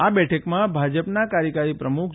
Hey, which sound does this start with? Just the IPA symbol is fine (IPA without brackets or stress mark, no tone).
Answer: a